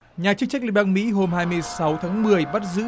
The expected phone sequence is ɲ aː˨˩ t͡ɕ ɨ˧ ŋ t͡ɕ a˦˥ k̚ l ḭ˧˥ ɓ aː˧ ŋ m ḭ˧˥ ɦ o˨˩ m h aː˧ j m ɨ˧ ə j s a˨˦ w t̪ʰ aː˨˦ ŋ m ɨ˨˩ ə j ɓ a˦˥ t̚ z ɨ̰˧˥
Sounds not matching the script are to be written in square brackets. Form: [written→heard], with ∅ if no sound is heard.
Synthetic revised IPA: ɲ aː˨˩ t͡ɕ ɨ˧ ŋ t͡ɕ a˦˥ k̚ l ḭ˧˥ ɓ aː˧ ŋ m ḭ˧˥ ɦ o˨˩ m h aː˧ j m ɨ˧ ə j s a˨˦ w t̪ʰ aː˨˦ ŋ m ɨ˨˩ ə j ɓ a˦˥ t̚ z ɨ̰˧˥